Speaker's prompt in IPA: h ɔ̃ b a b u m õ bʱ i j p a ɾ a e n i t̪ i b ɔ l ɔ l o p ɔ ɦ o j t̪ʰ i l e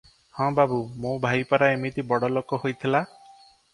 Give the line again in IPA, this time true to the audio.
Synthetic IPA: h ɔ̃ b a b u m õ bʱ a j p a ɾ a e m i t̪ i b ɔ ɽ ɔ l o k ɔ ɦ o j t̪ʰ i l a